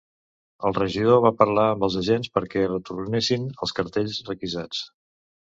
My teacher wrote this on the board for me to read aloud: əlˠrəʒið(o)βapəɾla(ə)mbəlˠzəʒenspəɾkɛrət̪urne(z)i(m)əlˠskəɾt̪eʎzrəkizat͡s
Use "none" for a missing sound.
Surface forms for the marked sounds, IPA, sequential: o, ə, s, n

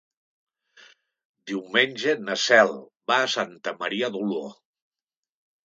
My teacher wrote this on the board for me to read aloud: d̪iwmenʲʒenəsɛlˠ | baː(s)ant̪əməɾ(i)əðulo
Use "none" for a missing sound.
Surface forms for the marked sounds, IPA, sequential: s, i

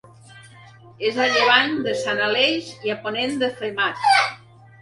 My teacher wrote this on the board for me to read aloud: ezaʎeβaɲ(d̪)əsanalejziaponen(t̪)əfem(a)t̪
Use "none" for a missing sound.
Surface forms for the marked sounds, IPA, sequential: d̪, d̪, a

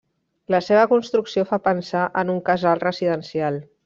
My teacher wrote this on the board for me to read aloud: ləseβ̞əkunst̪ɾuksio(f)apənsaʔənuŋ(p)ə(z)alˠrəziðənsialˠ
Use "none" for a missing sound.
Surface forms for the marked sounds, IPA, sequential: f, k, z

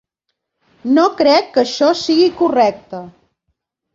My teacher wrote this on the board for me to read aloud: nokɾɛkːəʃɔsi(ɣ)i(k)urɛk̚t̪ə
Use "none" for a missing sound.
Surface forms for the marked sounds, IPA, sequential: ɣ, k

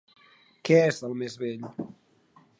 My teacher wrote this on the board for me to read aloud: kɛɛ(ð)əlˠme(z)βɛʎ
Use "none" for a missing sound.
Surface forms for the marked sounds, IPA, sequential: z, z

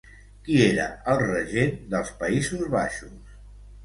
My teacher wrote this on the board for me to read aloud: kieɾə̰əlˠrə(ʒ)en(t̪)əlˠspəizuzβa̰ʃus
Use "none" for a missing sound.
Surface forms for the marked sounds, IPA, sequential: ʒ, d̪

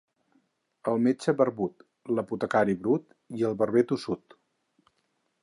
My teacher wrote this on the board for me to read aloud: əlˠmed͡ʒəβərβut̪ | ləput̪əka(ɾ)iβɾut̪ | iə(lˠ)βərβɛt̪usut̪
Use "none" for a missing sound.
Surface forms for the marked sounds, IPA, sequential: ɾ, lˠ

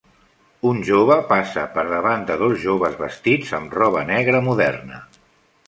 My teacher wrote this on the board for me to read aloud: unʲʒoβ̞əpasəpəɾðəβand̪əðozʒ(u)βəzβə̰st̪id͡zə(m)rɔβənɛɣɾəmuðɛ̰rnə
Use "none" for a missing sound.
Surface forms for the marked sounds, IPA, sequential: o, m

